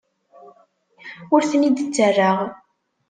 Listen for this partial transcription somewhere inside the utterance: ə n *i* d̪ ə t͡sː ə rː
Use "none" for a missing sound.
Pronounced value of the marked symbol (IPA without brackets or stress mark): i